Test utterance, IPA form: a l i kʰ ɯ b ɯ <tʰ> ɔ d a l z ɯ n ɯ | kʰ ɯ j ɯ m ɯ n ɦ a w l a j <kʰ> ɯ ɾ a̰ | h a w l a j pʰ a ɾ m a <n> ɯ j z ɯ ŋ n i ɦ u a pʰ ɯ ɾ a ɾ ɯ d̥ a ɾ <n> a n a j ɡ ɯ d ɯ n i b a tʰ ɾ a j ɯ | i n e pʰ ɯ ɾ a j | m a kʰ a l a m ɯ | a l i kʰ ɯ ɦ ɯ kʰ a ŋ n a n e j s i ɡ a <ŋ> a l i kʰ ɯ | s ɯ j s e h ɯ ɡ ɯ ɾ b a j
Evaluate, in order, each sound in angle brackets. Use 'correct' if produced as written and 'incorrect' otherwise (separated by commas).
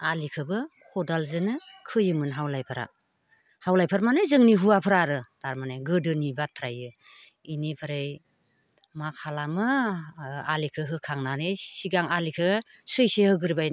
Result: incorrect, incorrect, correct, incorrect, correct